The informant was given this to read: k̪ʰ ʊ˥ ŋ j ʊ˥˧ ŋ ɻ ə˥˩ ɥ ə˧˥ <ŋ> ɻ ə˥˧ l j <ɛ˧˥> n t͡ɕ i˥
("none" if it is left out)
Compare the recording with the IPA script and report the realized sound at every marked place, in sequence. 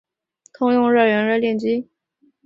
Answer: n, ɛ˥˩

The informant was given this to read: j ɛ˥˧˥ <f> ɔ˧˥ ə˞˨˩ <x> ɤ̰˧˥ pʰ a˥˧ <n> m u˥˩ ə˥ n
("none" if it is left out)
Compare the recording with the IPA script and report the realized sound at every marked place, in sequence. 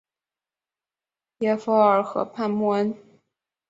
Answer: f, x, n

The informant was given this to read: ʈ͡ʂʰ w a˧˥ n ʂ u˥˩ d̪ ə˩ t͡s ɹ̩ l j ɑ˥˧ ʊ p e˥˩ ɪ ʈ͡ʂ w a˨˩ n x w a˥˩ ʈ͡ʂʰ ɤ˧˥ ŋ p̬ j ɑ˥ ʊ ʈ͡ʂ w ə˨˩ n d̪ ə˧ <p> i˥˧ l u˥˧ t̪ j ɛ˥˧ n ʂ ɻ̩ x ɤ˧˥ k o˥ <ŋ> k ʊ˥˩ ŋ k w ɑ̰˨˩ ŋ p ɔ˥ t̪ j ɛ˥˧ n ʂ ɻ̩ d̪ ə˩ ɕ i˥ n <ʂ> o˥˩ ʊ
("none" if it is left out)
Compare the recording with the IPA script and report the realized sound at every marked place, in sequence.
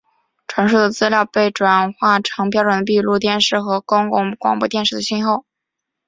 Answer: p, ŋ, x

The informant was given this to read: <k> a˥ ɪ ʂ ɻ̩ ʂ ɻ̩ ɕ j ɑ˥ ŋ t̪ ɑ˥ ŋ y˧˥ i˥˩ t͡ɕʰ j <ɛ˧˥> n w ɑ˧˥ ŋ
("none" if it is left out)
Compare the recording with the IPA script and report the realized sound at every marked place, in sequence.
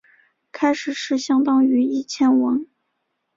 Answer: kʰ, ɛ˥

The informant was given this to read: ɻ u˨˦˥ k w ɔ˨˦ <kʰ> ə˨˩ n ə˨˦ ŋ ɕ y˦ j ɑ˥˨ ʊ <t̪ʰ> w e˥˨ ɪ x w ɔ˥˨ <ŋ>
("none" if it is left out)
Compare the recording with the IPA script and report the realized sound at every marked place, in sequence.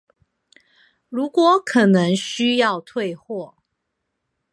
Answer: kʰ, t̪ʰ, none

